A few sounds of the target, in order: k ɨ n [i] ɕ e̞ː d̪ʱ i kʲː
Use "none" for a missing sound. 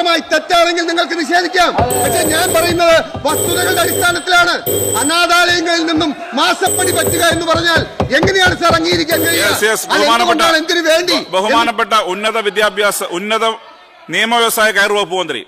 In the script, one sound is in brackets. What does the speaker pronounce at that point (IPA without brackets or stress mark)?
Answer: i